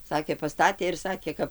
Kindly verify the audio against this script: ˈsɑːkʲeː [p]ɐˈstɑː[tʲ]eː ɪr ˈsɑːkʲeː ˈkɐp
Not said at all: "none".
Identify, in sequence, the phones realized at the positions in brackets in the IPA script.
p, tʲ

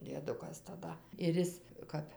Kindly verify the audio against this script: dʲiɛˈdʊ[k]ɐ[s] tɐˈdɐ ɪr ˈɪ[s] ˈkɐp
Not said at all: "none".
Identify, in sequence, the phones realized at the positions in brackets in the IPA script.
k, s, s

